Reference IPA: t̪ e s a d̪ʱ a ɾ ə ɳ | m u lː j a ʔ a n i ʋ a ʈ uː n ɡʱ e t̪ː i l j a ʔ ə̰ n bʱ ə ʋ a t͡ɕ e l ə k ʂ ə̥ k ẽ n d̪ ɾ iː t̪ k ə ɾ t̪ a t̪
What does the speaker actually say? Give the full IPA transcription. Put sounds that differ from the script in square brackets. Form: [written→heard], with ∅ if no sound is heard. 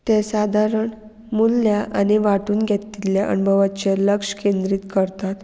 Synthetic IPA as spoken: t̪ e s a d̪ʱ a ɾ ə ɳ | m u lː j a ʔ a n i ʋ a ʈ uː n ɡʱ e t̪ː i l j a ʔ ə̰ n bʱ ə ʋ a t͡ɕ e l ə k ʂ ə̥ k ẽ n d̪ ɾ iː t̪ k ə ɾ t̪ a t̪